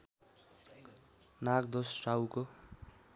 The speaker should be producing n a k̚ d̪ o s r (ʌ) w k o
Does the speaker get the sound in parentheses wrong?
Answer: yes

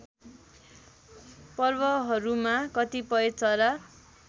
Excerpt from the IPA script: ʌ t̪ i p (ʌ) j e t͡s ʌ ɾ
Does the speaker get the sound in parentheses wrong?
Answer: no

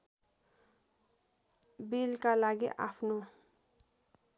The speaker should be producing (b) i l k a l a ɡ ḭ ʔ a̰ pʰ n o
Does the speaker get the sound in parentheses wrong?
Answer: no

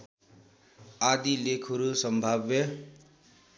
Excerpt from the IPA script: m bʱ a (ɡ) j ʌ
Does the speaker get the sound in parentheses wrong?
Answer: yes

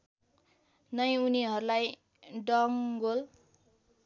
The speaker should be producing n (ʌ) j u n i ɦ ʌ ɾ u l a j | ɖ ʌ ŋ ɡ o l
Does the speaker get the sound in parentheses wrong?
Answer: no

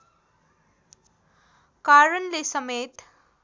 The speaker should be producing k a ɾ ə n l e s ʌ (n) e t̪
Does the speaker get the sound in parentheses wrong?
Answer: yes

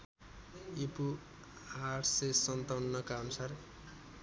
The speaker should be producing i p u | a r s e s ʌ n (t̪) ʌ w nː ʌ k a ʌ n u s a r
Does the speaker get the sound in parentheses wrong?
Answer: no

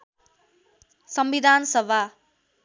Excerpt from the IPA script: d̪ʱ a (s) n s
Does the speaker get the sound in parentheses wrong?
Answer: yes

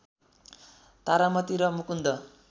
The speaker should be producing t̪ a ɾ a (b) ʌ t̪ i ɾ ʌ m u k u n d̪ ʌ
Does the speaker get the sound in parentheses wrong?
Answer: yes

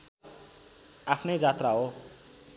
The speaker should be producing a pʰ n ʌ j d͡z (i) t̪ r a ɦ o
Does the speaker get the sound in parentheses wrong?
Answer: yes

